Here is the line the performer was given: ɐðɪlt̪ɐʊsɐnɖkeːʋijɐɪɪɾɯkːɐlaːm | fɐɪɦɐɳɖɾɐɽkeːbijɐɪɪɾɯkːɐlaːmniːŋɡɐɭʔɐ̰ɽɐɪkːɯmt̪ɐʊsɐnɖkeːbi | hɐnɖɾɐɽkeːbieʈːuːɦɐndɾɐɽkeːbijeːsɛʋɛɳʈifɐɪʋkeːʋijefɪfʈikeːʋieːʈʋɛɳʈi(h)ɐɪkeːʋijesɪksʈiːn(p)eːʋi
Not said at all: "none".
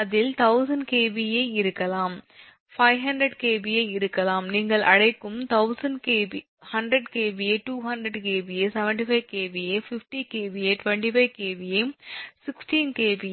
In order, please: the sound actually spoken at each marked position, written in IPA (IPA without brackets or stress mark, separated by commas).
f, k